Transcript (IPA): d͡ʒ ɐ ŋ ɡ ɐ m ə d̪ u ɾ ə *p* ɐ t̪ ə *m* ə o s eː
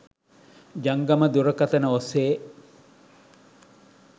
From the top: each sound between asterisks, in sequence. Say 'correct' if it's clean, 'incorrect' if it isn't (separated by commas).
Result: incorrect, incorrect